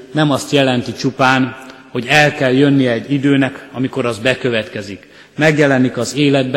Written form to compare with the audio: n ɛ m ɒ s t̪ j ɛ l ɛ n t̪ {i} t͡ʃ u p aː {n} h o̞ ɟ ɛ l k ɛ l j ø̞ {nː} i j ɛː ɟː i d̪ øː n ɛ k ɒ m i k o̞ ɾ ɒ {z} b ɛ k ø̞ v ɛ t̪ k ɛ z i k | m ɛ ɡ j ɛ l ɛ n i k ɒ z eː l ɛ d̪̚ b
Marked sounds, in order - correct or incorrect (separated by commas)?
correct, correct, correct, correct